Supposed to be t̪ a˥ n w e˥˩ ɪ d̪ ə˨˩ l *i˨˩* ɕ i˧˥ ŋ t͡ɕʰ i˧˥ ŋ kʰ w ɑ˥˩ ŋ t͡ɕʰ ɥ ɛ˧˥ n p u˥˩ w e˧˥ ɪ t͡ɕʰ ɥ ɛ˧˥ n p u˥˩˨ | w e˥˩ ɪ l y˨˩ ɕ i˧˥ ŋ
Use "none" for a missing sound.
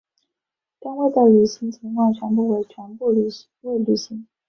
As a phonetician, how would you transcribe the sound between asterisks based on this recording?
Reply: y˨˩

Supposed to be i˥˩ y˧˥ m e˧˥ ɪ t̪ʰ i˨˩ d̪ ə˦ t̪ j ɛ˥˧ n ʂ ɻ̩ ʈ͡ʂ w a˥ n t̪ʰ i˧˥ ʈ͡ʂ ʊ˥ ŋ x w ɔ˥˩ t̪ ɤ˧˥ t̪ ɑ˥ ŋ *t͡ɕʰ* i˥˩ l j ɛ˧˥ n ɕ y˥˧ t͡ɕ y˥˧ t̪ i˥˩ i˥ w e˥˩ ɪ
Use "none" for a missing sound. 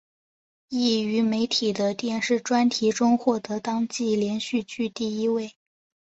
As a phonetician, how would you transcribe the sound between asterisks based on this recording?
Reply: t͡ɕ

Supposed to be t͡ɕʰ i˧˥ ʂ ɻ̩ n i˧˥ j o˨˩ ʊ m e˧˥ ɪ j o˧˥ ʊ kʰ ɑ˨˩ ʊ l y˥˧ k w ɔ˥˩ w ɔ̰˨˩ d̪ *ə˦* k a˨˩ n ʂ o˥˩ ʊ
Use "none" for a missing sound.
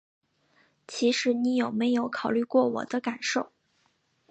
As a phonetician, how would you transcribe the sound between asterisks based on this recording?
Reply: ə˦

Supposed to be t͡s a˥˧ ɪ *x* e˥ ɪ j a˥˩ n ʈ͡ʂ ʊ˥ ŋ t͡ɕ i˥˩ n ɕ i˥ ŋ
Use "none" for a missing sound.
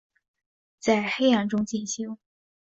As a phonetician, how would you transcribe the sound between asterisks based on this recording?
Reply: x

